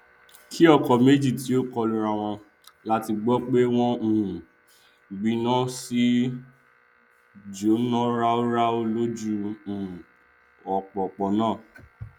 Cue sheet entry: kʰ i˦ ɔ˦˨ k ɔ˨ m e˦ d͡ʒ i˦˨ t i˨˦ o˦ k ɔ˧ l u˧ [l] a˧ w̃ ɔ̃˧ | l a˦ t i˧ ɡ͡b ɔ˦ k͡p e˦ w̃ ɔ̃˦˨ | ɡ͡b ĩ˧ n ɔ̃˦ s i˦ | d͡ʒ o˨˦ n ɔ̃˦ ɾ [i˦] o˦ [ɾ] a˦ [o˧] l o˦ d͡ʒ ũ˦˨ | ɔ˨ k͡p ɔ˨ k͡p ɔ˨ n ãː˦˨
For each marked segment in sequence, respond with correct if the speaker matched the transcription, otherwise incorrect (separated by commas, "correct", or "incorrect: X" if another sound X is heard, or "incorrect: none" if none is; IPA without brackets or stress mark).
incorrect: ɾ, incorrect: a˦, correct, correct